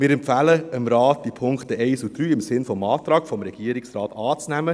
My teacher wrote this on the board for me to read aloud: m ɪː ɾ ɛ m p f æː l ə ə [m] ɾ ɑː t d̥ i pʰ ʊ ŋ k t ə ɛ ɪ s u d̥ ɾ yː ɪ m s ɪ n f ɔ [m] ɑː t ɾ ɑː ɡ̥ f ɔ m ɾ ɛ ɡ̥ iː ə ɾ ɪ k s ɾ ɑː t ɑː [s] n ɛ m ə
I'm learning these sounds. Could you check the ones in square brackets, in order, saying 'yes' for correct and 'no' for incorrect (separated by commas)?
yes, yes, no